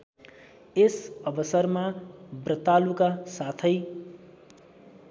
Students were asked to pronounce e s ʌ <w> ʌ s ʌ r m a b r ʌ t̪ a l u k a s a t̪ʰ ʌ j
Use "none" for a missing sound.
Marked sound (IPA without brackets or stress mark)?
b